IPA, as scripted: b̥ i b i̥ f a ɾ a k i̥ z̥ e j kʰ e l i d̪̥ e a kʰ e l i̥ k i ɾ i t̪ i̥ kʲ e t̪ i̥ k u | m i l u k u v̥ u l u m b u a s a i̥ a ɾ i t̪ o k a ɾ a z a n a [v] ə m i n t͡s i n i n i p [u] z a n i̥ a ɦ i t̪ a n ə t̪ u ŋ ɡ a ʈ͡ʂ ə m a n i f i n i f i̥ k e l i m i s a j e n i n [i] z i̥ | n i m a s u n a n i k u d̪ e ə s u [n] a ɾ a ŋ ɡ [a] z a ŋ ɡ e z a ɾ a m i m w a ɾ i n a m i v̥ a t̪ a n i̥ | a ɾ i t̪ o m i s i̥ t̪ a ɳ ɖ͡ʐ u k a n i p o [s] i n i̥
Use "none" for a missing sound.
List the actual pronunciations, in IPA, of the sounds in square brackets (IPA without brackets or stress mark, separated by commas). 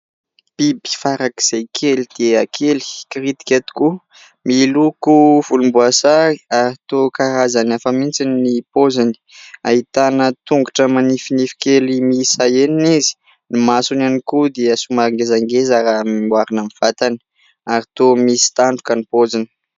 f, o, i, m, e, z